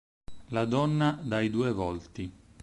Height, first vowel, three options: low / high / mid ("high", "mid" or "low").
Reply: low